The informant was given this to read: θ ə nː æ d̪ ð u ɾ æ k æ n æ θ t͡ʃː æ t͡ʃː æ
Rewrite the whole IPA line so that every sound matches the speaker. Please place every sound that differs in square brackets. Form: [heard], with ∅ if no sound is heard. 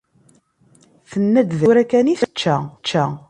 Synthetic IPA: θ ə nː æ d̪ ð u ɾ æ k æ n [i] θ t͡ʃː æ t͡ʃː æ